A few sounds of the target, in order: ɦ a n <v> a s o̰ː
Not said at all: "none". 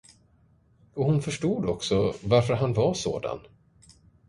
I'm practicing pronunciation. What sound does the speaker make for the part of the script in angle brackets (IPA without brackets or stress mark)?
v